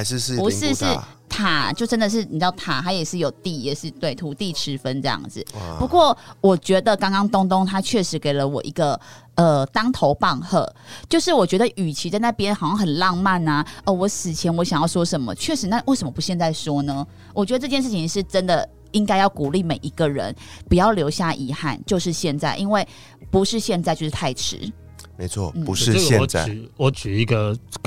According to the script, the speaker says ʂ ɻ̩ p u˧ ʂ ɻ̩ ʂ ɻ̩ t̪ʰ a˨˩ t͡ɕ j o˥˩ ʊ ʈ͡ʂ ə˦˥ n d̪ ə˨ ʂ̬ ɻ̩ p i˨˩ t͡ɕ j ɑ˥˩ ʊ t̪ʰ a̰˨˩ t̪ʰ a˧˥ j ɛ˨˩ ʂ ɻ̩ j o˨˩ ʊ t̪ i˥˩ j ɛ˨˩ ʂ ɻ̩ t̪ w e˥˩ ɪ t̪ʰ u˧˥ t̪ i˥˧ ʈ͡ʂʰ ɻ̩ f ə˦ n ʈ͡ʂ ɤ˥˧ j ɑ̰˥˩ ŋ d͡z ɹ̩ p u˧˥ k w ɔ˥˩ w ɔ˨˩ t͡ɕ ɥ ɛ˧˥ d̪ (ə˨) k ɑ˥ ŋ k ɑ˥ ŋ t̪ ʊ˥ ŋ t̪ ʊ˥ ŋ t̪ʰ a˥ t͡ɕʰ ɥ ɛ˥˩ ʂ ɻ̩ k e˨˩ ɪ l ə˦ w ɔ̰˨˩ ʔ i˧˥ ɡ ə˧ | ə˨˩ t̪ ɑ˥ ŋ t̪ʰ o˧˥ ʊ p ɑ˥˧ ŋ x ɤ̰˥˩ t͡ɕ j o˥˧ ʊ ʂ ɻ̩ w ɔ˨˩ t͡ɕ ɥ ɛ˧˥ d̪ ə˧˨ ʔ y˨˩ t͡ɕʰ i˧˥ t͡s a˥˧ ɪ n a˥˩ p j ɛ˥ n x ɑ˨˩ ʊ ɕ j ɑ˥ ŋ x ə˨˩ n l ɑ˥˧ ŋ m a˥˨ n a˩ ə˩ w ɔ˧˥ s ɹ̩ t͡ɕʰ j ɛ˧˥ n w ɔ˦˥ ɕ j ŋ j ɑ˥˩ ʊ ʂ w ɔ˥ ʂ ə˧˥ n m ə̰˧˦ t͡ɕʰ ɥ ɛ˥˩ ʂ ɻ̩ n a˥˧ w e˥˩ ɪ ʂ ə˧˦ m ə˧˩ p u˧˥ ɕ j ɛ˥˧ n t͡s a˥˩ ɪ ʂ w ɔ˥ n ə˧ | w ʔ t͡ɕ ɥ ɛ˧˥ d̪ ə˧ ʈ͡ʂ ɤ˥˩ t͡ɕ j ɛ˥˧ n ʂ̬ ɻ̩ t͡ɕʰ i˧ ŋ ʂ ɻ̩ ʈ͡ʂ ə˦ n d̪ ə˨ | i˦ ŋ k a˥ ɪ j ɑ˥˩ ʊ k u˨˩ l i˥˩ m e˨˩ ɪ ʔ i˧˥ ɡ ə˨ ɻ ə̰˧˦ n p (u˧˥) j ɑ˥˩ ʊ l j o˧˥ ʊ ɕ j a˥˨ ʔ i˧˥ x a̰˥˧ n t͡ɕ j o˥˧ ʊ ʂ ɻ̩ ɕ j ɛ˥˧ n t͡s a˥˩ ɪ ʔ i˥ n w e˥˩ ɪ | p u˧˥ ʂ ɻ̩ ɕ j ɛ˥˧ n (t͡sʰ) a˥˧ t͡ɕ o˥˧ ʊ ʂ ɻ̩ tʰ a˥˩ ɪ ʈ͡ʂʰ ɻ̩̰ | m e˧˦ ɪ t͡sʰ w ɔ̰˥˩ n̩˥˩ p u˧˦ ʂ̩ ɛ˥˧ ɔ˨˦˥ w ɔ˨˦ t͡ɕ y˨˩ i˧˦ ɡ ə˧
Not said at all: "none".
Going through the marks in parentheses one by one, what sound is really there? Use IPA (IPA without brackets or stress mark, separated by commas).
ə˨, u˨˩, t͡s